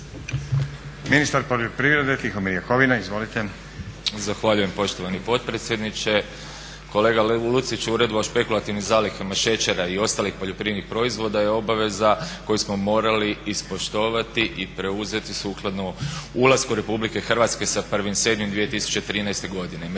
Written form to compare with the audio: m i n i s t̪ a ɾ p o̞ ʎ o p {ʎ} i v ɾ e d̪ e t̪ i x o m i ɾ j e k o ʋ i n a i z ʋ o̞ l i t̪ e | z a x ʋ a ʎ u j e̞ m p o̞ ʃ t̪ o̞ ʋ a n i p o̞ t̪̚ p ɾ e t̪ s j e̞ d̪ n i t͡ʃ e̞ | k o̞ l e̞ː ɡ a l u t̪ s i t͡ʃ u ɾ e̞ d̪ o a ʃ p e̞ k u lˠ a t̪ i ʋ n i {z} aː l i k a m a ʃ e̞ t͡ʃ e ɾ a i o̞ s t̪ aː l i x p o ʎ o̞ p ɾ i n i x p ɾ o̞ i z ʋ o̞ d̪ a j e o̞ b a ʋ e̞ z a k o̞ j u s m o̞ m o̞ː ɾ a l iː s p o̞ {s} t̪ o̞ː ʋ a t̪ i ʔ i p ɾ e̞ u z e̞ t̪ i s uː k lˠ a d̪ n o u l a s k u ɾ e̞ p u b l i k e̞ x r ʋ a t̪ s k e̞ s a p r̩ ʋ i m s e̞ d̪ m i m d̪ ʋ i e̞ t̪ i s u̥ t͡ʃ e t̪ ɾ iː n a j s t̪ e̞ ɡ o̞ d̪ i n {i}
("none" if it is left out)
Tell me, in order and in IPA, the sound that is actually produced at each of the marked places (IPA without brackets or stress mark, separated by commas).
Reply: ɾ, z, ʃ, e